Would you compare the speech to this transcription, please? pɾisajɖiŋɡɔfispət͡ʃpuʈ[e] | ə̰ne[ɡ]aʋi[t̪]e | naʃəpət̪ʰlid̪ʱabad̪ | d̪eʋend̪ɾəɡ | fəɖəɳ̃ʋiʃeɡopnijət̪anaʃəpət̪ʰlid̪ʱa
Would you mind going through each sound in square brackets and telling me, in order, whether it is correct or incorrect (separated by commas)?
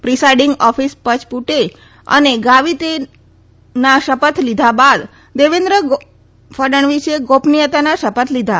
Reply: correct, correct, correct